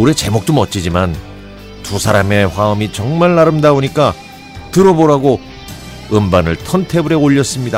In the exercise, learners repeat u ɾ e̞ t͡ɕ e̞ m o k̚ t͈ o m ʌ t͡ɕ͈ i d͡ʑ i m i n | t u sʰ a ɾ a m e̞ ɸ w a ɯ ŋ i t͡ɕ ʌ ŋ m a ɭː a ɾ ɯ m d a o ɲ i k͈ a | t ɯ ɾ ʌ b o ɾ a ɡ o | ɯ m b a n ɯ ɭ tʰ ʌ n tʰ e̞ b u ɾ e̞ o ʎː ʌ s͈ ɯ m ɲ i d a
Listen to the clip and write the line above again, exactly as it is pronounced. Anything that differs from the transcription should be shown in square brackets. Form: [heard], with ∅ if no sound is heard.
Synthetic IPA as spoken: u ɾ e̞ t͡ɕ e̞ m o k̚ t͈ o m ʌ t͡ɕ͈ i d͡ʑ i m [a] n | t u sʰ a ɾ a m e̞ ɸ w a ɯ [m] i t͡ɕ ʌ ŋ m a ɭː a ɾ ɯ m d a o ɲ i k͈ a | t ɯ ɾ ʌ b o ɾ a ɡ o | ɯ m b a n ɯ ɭ tʰ ʌ n tʰ e̞ b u ɾ e̞ o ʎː ʌ s͈ ɯ m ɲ i d a